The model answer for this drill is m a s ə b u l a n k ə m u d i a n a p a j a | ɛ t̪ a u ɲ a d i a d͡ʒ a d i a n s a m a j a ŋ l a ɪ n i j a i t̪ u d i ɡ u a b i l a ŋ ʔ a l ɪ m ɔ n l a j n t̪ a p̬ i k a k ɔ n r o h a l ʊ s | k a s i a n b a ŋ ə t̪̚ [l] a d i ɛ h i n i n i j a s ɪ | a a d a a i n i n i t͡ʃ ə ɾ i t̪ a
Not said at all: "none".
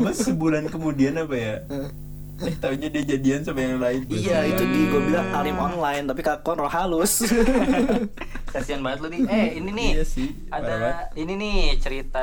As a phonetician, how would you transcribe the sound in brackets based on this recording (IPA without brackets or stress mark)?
l